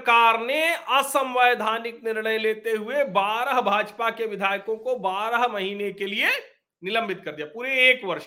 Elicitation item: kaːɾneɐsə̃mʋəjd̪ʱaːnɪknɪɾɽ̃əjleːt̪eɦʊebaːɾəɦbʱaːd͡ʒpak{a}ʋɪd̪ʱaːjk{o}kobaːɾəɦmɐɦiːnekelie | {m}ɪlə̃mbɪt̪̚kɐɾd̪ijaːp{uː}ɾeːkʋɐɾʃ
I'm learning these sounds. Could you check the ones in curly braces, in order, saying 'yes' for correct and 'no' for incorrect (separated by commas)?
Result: no, no, no, yes